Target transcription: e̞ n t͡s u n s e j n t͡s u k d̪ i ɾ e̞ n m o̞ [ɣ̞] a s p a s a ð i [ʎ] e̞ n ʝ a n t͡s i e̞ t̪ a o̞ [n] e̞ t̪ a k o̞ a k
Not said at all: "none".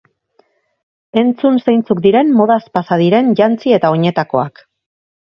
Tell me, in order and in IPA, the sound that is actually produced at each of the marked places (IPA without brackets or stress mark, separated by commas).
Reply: ð̞, ɾ, ɲ